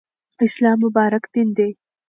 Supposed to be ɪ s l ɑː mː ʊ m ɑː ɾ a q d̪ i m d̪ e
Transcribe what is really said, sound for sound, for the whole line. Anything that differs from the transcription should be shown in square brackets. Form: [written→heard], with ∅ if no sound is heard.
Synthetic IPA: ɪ s l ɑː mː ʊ [m→b] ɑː ɾ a [q→k] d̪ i [m→n] d̪ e